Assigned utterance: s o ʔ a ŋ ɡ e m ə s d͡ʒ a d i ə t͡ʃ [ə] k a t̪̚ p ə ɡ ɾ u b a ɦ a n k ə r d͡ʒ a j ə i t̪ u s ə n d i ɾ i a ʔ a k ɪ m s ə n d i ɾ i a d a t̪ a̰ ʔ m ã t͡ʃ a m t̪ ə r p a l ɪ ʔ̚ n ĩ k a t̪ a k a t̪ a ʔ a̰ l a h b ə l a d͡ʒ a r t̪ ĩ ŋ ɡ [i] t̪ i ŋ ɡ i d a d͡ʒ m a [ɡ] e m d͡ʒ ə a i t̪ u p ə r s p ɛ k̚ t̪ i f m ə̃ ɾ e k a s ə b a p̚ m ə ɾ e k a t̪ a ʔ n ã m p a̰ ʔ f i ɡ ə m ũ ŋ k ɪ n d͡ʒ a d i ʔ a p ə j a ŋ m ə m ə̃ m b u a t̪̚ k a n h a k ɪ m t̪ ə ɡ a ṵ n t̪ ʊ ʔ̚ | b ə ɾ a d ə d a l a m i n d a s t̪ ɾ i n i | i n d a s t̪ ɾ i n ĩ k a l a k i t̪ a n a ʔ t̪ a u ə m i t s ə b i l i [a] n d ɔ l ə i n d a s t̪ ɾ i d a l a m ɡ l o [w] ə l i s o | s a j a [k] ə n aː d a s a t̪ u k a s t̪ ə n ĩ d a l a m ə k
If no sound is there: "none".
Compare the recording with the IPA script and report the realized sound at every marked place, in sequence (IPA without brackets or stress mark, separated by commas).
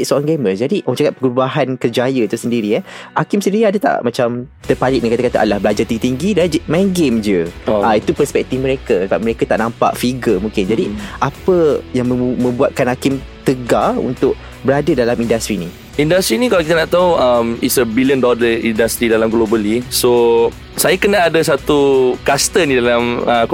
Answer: a, i, ɡ, ə, b, k